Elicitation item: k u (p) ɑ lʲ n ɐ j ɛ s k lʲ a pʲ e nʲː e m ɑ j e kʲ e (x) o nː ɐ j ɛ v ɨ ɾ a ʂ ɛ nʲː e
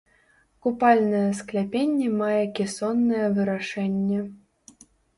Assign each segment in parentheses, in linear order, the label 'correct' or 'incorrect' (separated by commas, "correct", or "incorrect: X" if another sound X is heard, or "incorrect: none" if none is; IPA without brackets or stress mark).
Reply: correct, incorrect: s